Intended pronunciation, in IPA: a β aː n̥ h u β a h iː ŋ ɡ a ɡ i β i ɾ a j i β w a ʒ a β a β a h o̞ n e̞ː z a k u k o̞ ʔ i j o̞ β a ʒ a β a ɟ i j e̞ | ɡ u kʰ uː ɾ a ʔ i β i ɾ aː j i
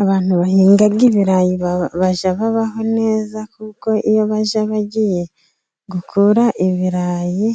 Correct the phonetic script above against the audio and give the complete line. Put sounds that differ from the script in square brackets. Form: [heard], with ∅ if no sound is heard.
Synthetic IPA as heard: a β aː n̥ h u β a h iː ŋ ɡ a ɡ i β i ɾ a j i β [β] a ʒ a β a β a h o̞ n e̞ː z a k u k o̞ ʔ i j o̞ β a ʒ a β a ɟ i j e̞ | ɡ u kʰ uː ɾ a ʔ i β i ɾ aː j i